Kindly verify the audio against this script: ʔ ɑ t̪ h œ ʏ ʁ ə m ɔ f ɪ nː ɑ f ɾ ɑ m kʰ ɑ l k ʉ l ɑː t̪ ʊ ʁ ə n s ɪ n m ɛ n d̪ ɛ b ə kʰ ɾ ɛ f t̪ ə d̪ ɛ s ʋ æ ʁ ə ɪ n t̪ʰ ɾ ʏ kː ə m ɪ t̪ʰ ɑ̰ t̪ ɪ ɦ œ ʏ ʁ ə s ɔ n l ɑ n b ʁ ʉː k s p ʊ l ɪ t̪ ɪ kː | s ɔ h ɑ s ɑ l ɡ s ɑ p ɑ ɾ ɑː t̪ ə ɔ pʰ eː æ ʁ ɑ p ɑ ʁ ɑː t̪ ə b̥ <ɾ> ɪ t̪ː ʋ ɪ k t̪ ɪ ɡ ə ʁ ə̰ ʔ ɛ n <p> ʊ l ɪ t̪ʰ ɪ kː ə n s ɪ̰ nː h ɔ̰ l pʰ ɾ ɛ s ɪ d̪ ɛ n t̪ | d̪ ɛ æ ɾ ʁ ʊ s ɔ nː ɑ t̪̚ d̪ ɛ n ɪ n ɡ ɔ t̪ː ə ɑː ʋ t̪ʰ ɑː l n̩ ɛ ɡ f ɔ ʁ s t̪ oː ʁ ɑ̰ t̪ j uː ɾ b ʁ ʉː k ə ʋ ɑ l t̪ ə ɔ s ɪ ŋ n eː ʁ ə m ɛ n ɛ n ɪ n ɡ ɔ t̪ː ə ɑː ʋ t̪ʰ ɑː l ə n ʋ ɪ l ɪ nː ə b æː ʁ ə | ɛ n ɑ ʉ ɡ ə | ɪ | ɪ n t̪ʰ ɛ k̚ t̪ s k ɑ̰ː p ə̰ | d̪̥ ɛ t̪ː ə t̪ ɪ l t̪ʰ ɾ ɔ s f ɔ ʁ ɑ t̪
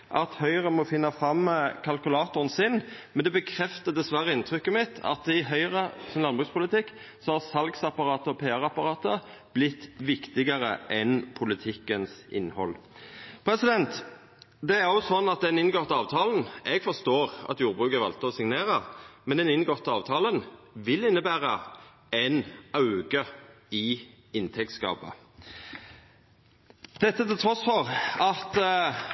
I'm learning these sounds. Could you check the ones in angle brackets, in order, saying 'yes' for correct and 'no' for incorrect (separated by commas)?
no, no